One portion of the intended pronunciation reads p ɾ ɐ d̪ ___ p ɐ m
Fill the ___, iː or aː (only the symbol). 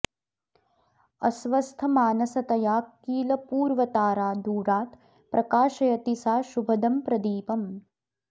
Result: iː